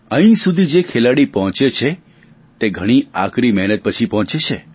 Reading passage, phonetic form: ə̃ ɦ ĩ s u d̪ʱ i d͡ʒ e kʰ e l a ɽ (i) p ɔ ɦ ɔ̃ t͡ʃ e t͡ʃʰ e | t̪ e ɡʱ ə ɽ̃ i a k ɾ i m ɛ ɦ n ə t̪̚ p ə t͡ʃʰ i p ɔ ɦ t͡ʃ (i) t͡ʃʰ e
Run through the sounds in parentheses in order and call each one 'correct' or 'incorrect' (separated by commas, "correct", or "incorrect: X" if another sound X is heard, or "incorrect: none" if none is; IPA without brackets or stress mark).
correct, incorrect: e